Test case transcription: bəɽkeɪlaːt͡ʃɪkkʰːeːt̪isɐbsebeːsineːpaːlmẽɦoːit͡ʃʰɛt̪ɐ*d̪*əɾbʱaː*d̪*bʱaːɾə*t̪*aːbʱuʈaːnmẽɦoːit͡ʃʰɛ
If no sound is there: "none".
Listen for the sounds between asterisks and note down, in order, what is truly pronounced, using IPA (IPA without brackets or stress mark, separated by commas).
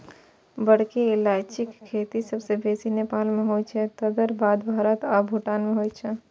d̪, d̪, t̪